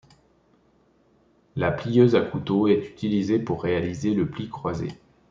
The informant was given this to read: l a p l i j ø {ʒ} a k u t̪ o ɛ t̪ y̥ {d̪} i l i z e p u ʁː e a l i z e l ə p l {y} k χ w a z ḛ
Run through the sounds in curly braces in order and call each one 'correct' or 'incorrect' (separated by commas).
incorrect, incorrect, incorrect